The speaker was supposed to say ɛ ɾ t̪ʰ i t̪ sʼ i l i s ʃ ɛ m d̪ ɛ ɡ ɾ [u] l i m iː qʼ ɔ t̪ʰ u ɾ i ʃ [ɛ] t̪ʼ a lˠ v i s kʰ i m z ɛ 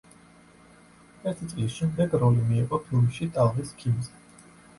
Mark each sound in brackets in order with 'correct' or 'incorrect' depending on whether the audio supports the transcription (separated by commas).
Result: incorrect, incorrect